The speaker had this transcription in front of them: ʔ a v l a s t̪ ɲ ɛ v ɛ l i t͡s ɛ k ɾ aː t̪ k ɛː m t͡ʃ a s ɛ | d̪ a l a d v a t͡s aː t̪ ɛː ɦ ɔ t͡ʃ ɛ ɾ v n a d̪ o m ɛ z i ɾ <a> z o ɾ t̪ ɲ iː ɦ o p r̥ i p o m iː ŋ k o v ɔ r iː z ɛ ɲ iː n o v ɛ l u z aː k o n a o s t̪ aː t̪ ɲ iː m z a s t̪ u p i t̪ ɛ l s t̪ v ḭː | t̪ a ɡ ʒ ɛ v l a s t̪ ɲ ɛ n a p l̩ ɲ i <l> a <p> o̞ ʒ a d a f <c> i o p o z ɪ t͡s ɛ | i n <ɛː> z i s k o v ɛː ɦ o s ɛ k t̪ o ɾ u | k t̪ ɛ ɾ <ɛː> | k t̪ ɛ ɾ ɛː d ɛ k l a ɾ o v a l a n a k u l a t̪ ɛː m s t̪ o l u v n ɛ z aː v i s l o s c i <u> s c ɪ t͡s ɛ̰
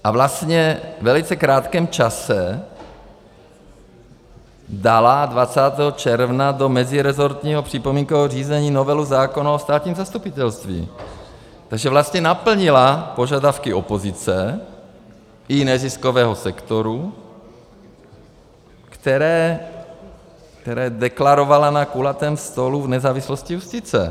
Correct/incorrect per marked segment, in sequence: incorrect, correct, correct, incorrect, incorrect, correct, correct

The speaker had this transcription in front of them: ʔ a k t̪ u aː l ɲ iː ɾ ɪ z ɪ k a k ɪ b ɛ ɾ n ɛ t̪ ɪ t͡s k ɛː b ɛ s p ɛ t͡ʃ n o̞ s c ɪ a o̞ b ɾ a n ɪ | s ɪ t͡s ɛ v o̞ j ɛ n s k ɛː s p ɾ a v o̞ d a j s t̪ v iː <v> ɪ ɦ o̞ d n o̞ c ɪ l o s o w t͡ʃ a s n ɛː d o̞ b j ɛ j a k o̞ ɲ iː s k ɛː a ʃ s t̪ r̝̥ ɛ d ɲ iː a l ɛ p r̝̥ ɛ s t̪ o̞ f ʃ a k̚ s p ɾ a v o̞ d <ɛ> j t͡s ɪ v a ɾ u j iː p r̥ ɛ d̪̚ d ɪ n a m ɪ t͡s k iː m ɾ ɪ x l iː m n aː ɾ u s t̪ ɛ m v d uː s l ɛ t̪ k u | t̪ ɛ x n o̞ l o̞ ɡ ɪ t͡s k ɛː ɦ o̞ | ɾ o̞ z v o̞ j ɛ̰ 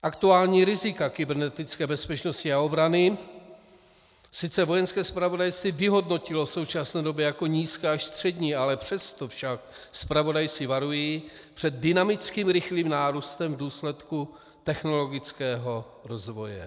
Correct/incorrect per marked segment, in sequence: correct, incorrect

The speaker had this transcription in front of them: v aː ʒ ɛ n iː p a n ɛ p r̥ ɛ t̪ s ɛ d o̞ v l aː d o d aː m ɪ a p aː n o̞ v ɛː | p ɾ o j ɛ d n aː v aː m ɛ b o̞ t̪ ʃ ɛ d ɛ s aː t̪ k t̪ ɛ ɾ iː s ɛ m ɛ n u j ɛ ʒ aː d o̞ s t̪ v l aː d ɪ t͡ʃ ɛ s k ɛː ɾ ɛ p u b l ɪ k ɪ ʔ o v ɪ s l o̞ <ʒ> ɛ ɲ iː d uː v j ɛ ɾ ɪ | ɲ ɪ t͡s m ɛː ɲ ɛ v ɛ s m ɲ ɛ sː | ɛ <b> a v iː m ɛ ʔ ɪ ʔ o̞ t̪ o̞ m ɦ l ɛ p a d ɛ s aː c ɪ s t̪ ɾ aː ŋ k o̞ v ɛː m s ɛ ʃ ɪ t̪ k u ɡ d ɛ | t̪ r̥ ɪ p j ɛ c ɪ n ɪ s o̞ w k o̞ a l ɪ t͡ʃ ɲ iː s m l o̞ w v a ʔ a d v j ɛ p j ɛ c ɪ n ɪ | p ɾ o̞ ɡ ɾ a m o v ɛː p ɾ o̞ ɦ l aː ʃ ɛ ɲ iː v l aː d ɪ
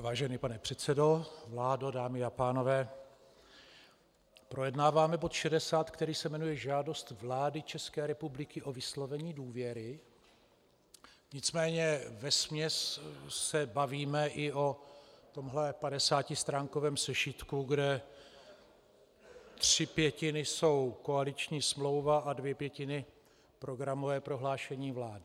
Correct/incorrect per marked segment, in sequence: incorrect, correct

